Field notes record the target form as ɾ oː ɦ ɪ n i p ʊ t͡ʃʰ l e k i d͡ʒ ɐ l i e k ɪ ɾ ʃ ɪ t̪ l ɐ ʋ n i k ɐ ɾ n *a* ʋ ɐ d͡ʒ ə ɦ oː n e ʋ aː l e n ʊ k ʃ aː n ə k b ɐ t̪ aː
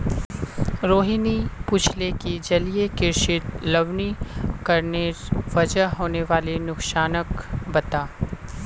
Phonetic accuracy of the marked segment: incorrect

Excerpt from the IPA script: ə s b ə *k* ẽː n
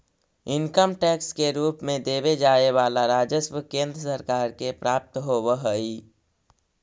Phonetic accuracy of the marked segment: correct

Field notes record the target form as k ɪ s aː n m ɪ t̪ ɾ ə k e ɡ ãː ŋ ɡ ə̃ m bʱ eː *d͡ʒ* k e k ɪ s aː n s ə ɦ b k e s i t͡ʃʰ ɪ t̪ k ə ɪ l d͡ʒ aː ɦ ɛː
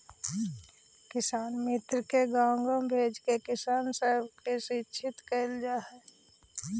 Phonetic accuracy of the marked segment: correct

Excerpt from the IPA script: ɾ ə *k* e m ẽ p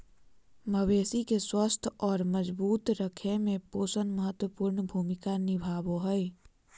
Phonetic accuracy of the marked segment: incorrect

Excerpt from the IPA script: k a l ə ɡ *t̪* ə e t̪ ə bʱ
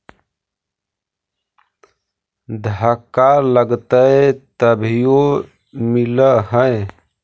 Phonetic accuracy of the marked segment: correct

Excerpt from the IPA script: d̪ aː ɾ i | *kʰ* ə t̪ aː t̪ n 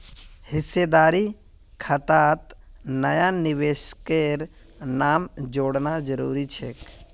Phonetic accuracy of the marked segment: correct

